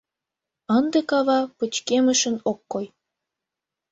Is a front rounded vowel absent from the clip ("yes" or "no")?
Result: yes